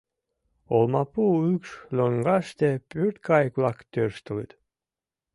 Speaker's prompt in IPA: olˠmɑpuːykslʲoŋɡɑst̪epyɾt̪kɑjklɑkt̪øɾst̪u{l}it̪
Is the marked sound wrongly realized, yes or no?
no